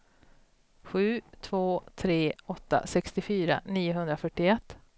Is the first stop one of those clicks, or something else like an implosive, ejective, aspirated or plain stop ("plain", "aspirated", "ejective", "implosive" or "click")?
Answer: aspirated